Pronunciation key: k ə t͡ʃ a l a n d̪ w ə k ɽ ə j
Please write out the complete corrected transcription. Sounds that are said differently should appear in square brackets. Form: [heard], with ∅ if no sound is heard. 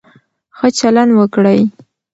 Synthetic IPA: [x] ə t͡ʃ a l a n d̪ w ə k ɽ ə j